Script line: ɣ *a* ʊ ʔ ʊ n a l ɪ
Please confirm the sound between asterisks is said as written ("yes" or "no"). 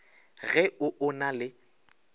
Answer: no